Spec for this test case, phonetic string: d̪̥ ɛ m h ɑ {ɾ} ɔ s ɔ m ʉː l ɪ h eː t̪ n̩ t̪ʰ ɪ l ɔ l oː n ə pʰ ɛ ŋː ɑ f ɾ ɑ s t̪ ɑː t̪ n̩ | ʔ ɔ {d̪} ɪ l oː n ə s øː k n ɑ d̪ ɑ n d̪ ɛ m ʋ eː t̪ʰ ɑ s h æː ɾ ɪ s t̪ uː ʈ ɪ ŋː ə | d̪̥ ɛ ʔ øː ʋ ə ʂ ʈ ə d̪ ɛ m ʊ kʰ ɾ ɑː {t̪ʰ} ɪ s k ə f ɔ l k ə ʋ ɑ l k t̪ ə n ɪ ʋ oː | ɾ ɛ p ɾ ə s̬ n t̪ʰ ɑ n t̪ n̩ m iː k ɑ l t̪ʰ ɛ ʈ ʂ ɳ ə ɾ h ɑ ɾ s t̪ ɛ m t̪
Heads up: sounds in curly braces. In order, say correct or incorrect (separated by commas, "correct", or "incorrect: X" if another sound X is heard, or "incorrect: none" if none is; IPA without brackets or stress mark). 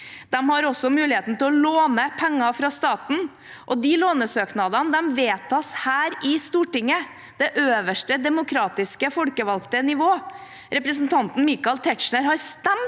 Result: correct, correct, incorrect: t̪